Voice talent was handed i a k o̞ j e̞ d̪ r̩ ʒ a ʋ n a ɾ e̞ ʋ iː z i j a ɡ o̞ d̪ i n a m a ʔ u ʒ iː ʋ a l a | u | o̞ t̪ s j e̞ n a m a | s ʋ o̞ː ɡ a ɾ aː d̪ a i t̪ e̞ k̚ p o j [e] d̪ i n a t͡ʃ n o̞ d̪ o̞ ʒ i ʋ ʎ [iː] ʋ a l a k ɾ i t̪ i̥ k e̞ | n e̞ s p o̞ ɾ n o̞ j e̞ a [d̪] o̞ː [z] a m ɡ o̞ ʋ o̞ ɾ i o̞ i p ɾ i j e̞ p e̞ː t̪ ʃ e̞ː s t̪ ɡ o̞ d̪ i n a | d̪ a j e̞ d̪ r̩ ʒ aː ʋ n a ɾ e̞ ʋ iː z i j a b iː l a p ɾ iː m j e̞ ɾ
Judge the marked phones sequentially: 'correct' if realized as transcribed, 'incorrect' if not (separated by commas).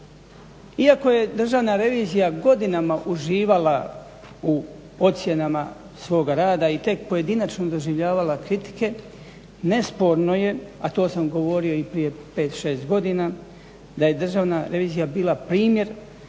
correct, incorrect, incorrect, incorrect